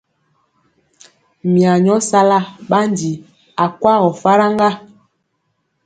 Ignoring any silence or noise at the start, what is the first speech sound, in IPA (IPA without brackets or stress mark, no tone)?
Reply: m